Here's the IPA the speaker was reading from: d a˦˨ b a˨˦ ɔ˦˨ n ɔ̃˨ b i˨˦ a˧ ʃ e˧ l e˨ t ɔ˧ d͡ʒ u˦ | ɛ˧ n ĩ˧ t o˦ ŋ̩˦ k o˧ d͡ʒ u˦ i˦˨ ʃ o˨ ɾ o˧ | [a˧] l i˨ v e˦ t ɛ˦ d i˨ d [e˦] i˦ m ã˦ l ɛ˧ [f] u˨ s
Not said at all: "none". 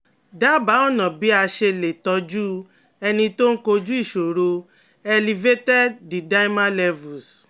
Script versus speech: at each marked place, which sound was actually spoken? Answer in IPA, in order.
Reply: ɛ˧, a˦, v

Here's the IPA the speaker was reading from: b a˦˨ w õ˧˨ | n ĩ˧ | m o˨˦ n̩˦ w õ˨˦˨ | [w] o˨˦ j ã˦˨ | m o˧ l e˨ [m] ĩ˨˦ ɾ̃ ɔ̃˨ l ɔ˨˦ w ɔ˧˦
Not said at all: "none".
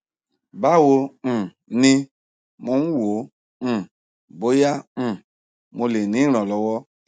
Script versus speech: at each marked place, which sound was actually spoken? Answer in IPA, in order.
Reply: b, n

